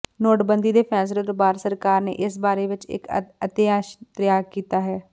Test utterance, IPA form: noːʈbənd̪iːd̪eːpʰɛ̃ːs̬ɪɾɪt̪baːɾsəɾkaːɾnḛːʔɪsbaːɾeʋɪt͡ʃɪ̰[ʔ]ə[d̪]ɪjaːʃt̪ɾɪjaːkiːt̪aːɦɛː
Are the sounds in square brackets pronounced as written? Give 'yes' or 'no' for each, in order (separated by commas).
no, no